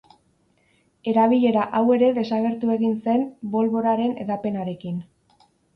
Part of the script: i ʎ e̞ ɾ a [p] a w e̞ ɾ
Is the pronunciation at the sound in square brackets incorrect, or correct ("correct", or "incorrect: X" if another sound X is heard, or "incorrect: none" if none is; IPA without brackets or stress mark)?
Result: incorrect: ʔ